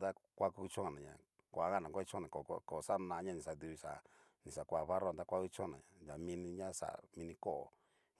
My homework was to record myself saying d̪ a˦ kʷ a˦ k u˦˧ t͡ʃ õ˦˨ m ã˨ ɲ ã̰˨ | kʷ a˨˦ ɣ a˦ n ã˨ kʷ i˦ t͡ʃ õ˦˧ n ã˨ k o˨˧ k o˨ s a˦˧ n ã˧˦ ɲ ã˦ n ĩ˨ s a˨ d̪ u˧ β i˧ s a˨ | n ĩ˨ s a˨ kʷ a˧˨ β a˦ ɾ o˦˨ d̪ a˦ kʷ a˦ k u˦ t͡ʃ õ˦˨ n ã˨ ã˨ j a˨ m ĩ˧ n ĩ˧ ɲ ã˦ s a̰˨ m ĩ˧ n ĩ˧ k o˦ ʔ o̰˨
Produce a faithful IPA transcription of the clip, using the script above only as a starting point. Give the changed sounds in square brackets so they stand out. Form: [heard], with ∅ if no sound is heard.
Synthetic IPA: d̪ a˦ kʷ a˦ k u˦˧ t͡ʃ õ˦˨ [n] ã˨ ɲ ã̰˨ | kʷ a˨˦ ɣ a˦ n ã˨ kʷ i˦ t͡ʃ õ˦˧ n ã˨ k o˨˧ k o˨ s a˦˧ n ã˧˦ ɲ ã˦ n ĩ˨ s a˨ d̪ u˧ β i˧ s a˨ | n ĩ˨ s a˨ kʷ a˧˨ β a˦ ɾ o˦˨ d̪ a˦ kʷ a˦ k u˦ t͡ʃ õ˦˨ n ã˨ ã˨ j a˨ m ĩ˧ n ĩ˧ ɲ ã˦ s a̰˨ m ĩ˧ n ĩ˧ k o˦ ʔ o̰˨